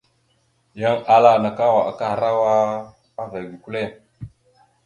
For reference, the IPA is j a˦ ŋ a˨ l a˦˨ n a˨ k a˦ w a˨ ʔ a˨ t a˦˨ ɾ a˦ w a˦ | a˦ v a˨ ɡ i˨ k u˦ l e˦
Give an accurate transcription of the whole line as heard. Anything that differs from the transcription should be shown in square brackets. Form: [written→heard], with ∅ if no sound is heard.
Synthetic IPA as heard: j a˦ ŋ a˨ l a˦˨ n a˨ k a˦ w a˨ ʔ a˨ [t→k] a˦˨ ɾ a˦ w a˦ | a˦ v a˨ ɡ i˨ k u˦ l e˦

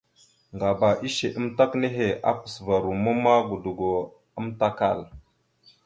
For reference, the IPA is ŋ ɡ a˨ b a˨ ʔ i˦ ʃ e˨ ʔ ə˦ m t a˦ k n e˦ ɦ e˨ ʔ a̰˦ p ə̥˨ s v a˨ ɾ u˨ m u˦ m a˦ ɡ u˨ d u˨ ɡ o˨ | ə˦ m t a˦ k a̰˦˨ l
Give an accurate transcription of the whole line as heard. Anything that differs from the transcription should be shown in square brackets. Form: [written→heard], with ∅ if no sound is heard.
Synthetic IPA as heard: ŋ ɡ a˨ b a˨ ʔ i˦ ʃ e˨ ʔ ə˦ m t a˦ k n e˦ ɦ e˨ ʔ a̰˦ p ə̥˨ s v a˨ ɾ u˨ m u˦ m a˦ ɡ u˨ d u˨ ɡ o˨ | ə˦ m t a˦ k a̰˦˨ l

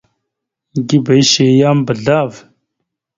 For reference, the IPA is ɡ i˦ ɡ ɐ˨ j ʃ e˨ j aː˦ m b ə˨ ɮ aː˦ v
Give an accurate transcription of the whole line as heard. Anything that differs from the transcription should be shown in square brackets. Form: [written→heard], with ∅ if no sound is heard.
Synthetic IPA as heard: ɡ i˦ [ɡ→b] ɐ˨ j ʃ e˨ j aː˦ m b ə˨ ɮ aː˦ v

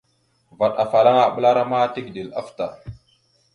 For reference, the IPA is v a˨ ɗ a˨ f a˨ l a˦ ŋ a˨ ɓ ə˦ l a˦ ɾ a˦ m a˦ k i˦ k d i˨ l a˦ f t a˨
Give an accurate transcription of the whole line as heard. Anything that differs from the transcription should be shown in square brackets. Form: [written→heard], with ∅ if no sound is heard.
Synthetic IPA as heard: v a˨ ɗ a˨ f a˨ l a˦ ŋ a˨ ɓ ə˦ l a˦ ɾ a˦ m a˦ [k→t] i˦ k d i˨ l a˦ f t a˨

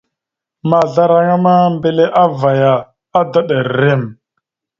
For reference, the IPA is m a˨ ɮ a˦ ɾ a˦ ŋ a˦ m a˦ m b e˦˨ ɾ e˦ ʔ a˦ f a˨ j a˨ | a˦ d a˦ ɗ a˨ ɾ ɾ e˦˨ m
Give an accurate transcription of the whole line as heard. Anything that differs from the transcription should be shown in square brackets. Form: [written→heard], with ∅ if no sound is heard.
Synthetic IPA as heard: m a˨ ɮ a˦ ɾ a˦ ŋ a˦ m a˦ m b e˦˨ [ɾ→l] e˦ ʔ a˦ [f→v] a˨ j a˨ | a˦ d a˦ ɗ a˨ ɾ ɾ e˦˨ m

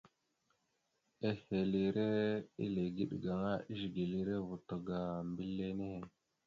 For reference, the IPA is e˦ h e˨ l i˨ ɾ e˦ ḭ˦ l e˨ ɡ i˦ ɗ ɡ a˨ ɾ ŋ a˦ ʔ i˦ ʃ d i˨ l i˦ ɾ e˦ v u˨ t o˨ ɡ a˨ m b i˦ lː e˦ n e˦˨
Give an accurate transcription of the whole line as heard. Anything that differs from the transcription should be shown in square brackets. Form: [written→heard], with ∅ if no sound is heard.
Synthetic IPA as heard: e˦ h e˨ l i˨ ɾ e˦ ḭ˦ l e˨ ɡ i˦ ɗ ɡ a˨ [ɾ→∅] ŋ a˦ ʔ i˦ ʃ [d→ɡ] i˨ l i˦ ɾ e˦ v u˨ t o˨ ɡ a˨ m b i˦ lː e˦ n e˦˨

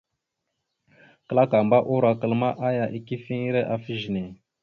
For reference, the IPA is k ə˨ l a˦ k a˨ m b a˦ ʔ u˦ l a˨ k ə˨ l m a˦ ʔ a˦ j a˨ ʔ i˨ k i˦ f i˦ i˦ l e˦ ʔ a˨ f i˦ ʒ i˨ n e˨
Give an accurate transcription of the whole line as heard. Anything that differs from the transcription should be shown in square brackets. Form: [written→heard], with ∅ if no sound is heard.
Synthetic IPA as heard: k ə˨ l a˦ k a˨ m b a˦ ʔ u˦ [l→ɾ] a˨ k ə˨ l m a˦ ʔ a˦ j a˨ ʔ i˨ k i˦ f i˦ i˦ [l→ɾ] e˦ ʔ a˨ f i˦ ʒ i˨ n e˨

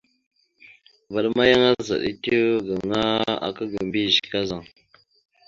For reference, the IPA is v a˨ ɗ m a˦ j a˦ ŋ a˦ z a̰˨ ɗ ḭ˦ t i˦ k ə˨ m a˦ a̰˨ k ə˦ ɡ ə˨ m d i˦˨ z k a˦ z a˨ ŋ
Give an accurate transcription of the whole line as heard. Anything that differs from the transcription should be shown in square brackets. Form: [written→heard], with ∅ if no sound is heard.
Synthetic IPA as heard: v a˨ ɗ m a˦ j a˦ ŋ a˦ z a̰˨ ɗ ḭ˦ t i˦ [k→ɡ] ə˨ [m→ŋ] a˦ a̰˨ k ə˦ ɡ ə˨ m [d→b] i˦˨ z k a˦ z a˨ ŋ

